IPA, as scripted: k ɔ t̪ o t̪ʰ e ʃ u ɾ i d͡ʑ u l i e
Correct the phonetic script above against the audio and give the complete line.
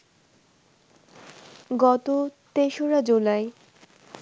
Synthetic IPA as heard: ɡ ɔ t̪ o t̪ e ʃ o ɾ a d͡ʑ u l a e